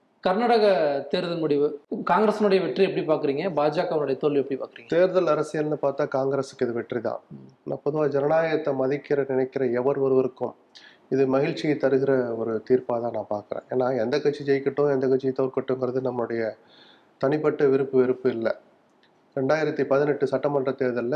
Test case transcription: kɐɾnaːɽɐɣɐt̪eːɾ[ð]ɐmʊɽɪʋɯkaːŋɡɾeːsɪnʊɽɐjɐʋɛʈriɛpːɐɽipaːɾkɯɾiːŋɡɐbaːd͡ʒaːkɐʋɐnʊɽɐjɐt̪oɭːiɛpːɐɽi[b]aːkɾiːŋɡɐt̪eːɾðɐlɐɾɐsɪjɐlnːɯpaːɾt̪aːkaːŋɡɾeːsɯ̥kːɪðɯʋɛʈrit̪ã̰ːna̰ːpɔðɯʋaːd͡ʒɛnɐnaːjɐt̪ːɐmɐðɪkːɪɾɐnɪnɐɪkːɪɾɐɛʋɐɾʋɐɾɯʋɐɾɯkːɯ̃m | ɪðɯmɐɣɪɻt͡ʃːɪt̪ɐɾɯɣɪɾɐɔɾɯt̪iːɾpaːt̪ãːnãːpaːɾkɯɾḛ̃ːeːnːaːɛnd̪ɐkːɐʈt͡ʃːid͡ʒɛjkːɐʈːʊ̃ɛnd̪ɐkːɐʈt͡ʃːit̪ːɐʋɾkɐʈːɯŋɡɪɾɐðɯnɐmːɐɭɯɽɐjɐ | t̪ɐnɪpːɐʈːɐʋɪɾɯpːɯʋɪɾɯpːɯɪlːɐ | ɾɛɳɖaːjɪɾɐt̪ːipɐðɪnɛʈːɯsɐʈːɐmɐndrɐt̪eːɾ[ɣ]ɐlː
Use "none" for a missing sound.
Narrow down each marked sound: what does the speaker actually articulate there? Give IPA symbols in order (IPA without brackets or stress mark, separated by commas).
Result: ð, p, ð